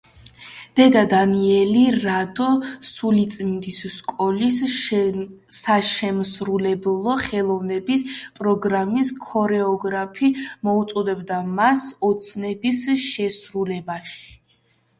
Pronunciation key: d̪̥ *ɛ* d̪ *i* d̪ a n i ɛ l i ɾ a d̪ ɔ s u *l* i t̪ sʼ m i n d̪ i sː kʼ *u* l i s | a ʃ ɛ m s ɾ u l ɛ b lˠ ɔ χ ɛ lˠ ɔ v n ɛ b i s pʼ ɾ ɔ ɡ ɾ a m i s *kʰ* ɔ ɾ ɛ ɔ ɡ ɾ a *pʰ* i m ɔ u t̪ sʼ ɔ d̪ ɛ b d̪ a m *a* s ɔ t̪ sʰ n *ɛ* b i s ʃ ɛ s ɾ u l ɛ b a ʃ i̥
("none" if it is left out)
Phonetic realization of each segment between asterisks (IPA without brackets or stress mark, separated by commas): ɛ, a, l, ɔ, kʰ, pʰ, a, ɛ